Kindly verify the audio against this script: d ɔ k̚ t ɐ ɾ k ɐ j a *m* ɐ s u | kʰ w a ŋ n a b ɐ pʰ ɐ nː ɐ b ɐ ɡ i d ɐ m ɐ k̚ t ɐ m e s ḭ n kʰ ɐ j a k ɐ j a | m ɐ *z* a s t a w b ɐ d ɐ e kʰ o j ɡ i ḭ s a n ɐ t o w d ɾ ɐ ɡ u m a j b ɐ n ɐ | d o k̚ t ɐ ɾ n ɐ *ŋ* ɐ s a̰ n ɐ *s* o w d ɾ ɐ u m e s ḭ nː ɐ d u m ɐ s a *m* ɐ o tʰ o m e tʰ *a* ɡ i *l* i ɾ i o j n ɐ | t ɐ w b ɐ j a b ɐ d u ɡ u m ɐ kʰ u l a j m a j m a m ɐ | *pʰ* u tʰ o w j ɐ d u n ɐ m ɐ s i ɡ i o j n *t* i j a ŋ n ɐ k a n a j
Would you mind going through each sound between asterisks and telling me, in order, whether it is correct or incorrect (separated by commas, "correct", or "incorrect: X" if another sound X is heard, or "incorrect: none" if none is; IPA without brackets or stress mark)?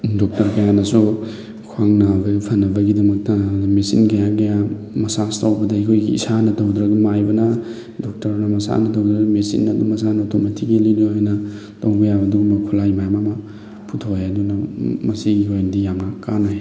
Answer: incorrect: n, incorrect: s, incorrect: m, incorrect: t, incorrect: n, incorrect: i, correct, correct, incorrect: d